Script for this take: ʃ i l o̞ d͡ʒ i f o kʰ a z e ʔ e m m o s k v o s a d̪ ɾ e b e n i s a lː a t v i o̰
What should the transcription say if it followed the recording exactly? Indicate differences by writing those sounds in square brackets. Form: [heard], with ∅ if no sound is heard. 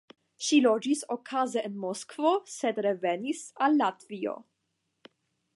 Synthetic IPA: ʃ i l o̞ d͡ʒ i [s] o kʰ a z e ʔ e [n] m o s k v o s [e] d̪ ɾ e [v] e n i s a lː a t v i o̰